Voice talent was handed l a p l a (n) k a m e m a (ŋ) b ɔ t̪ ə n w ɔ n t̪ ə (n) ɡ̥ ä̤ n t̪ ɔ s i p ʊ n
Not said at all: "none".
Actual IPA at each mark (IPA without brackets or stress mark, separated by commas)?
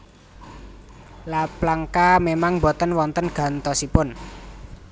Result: ŋ, ŋ, n